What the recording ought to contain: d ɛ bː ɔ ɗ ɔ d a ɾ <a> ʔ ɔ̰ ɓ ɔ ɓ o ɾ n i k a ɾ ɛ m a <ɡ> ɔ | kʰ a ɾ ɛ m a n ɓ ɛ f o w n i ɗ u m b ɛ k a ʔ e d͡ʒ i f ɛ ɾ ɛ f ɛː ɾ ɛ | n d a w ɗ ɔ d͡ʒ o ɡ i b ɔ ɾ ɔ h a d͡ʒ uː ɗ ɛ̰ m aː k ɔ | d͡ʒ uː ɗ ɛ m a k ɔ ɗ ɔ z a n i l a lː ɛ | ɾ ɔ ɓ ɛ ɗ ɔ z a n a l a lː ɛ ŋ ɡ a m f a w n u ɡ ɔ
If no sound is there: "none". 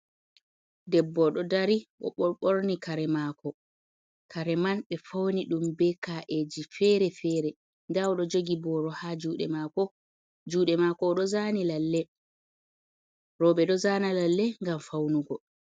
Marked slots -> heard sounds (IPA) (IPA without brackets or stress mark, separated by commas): i, k